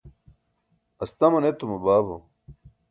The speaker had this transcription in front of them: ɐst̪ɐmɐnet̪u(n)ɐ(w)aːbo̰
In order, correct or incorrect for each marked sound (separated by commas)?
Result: incorrect, incorrect